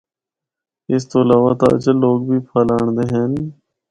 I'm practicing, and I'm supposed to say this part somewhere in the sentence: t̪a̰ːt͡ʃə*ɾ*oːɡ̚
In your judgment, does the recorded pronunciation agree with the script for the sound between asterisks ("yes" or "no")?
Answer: no